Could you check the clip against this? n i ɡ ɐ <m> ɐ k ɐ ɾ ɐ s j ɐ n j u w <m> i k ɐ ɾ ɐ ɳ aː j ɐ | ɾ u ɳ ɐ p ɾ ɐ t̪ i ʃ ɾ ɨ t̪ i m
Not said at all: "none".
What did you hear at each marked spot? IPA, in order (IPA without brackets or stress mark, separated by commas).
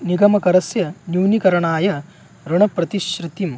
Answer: m, n